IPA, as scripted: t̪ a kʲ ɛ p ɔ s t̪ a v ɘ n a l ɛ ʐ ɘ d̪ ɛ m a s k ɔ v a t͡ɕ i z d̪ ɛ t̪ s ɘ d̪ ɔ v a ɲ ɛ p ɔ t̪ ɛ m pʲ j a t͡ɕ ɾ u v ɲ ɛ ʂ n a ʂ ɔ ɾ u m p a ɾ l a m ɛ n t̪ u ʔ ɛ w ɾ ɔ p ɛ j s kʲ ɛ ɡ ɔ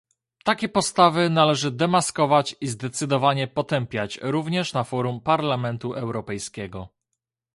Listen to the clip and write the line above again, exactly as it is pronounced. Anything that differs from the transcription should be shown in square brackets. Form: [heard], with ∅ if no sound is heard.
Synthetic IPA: t̪ a kʲ ɛ p ɔ s t̪ a v ɘ n a l ɛ ʐ ɘ d̪ ɛ m a s k ɔ v a t͡ɕ i z d̪ ɛ t̪ s ɘ d̪ ɔ v a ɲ ɛ p ɔ t̪ ɛ m pʲ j a t͡ɕ ɾ u v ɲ ɛ ʂ n a [f] ɔ ɾ u m p a ɾ l a m ɛ n t̪ u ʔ ɛ w ɾ ɔ p ɛ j s kʲ ɛ ɡ ɔ

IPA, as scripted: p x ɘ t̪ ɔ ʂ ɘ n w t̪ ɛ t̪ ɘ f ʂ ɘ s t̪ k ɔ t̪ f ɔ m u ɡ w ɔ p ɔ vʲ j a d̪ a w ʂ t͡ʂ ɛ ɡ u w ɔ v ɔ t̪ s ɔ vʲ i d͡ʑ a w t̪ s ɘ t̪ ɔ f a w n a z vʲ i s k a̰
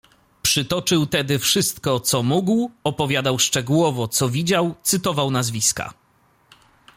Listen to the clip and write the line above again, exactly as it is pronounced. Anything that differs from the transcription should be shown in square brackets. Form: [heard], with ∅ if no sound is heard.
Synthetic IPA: p [ʂ] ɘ t̪ ɔ [t͡ʂ] ɘ [∅] w t̪ ɛ [d̪] ɘ f ʂ ɘ s t̪ k ɔ t̪ [s] ɔ m u ɡ w ɔ p ɔ vʲ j a d̪ a w ʂ t͡ʂ ɛ ɡ u w ɔ v ɔ t̪ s ɔ vʲ i d͡ʑ a w t̪ s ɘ t̪ ɔ [v] a w n a z vʲ i s k a̰

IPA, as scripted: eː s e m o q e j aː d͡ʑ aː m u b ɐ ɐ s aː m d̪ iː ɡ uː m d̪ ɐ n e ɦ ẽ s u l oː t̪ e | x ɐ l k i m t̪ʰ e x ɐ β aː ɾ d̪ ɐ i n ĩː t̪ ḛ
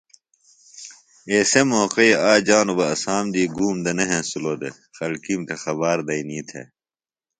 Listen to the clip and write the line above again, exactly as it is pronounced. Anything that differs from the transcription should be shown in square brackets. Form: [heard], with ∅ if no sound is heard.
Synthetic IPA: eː s e m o q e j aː d͡ʑ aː [n] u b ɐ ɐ s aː m d̪ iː ɡ uː m d̪ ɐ n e ɦ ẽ s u l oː [d̪] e | x ɐ l k i m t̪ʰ e x ɐ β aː ɾ d̪ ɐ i n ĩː [t̪ʰ] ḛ

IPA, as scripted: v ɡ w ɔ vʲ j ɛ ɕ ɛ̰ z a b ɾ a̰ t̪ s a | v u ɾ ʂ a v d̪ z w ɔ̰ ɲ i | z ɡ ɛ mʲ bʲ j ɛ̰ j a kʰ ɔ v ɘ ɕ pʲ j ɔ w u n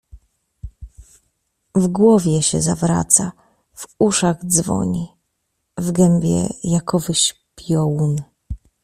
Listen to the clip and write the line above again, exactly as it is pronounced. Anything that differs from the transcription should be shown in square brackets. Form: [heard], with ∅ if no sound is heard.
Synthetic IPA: v ɡ w ɔ vʲ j ɛ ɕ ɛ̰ z a [v] ɾ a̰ t̪ s a | v u [∅] ʂ a [ɣ] d̪ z [v] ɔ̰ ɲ i | [v] ɡ ɛ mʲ bʲ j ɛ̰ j a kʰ ɔ v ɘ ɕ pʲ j ɔ w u n

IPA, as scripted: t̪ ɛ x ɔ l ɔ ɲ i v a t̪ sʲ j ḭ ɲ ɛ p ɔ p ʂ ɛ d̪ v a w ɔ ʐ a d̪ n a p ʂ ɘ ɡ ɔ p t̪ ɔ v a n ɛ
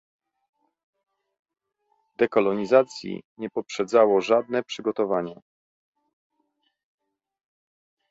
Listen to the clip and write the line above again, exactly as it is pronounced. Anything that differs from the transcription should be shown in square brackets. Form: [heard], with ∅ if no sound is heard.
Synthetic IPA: [d̪] ɛ [k] ɔ l ɔ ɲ i [z] a t̪ sʲ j ḭ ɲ ɛ p ɔ p ʂ ɛ d̪ [z] a w ɔ ʐ a d̪ n [ɛ] p ʂ ɘ ɡ ɔ [∅] t̪ ɔ v a [ɲ] ɛ

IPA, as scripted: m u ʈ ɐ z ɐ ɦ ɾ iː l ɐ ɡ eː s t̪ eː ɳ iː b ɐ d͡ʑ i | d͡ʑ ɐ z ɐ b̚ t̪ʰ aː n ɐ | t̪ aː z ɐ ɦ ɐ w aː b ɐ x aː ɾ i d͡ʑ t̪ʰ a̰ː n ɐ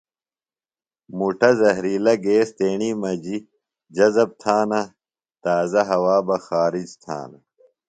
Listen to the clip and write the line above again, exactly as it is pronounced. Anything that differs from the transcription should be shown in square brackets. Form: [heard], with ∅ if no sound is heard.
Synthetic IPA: m u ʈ ɐ z ɐ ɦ ɾ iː l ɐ ɡ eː s t̪ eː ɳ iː [m] ɐ d͡ʑ i | d͡ʑ ɐ z ɐ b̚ t̪ʰ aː n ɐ | t̪ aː z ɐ ɦ ɐ w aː b ɐ x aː ɾ i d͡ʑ t̪ʰ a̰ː n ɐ

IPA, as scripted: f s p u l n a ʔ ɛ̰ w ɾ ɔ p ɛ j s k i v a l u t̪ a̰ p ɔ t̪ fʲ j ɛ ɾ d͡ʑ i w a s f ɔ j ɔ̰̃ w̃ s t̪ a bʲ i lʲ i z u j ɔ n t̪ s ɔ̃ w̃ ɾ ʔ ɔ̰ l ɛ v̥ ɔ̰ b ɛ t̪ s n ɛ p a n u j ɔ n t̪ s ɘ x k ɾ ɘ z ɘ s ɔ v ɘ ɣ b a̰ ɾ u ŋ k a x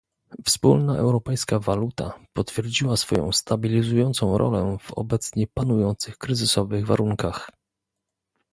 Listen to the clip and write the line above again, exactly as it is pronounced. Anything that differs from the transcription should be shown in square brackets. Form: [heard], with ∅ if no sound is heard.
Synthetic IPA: f s p u l n a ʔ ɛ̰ w ɾ ɔ p ɛ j s k [a] v a l u t̪ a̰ p ɔ t̪ fʲ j ɛ ɾ d͡ʑ i w a s f ɔ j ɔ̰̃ w̃ s t̪ a bʲ i lʲ i z u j ɔ n t̪ s ɔ̃ w̃ ɾ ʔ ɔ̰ l ɛ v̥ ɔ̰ b ɛ t̪ s [ɲ] ɛ p a n u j ɔ n t̪ s ɘ x k ɾ ɘ z ɘ s ɔ v ɘ ɣ [v] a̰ ɾ u ŋ k a x

